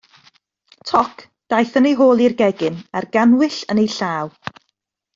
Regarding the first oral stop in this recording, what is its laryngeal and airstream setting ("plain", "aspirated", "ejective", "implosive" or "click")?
aspirated